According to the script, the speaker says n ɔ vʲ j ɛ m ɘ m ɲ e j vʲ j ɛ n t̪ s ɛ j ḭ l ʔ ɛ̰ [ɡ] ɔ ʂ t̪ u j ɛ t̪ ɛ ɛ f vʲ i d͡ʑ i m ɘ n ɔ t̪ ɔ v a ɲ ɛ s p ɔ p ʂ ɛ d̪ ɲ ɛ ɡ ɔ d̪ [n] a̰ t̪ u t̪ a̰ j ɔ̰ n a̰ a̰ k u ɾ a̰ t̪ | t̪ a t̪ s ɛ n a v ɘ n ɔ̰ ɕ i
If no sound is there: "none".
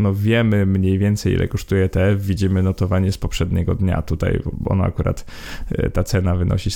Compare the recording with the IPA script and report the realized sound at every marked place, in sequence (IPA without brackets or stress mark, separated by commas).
k, ɲ